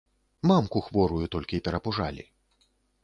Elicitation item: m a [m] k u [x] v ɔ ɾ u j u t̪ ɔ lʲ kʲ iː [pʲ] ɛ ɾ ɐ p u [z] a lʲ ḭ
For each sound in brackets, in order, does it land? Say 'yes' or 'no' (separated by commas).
yes, yes, yes, no